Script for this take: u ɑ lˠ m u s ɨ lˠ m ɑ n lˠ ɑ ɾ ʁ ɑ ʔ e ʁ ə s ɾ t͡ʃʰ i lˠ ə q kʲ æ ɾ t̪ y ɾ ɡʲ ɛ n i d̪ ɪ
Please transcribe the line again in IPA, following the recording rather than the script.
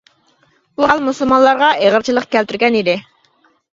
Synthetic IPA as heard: u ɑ lˠ m u s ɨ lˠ m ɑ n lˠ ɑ ɾ ʁ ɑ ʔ e ʁ ə ɾ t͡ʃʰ i lˠ ə q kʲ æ l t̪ y ɾ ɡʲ ɛ n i d̪ ɪ